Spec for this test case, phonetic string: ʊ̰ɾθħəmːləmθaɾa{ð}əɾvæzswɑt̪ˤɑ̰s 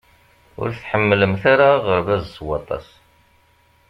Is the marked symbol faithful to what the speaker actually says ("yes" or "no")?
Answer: no